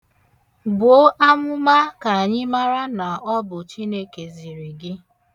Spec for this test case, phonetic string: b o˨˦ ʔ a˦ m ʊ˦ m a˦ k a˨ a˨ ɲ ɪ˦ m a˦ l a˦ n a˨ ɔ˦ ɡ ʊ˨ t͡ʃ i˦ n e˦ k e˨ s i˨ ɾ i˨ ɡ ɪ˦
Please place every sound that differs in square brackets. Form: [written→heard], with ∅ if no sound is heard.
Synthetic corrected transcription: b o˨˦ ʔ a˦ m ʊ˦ m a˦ k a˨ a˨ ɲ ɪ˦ m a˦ [l→ɾ] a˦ n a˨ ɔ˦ [ɡ→b] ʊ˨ t͡ʃ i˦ n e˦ k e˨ [s→z] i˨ ɾ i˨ ɡ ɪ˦